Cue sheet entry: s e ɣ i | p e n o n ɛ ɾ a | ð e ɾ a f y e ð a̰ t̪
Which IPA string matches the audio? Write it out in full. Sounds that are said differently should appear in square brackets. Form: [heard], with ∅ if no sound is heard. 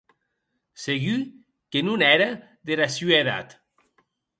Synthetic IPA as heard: s e ɣ [y] | [k] e n [u] n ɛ ɾ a | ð e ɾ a [s] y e ð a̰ t̪